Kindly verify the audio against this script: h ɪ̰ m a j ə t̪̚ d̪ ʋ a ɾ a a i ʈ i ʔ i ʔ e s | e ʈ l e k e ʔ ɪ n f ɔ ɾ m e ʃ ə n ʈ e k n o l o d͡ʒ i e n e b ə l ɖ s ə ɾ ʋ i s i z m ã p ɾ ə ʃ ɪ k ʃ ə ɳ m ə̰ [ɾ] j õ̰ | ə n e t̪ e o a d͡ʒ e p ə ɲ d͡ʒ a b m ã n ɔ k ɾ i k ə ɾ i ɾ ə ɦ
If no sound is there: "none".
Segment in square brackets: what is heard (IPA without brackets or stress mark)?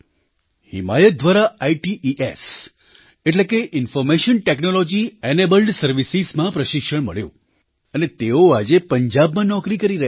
ɭ